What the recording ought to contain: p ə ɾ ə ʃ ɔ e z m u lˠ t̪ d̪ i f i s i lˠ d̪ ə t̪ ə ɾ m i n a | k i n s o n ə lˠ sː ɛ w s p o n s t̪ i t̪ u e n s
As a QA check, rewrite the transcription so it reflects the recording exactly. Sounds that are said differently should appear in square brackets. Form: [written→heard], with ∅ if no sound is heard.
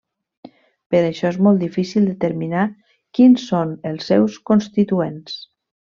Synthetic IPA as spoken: p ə ɾ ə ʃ ɔ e z m [u→ɔ] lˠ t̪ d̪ i f i s i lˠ d̪ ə t̪ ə ɾ m i n a | k i n s o n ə lˠ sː ɛ w s [p→k] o n s t̪ i t̪ u e n s